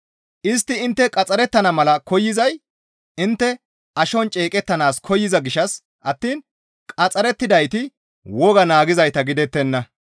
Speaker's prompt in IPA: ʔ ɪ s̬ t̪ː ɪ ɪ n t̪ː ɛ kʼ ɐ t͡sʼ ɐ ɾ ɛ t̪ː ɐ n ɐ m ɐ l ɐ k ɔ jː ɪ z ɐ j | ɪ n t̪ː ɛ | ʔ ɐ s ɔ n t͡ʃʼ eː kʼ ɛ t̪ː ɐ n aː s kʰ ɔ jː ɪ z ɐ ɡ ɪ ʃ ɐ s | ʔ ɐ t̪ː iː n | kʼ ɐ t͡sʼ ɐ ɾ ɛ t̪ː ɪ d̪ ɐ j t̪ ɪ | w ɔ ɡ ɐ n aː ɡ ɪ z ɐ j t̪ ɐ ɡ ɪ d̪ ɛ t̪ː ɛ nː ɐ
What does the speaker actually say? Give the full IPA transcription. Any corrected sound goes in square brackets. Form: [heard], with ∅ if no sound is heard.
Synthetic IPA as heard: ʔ ɪ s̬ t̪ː ɪ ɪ n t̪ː ɛ kʼ ɐ t͡sʼ ɐ ɾ ɛ t̪ː ɐ n ɐ m ɐ l ɐ k ɔ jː ɪ z ɐ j | ɪ n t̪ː ɛ | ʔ ɐ [ʃ] ɔ n t͡ʃʼ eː kʼ ɛ t̪ː ɐ n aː s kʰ ɔ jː ɪ z ɐ ɡ ɪ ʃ ɐ s | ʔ ɐ t̪ː iː n | kʼ ɐ t͡sʼ ɐ ɾ ɛ t̪ː ɪ d̪ ɐ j t̪ ɪ | w ɔ ɡ ɐ n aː ɡ ɪ z ɐ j t̪ ɐ ɡ ɪ d̪ ɛ t̪ː ɛ nː ɐ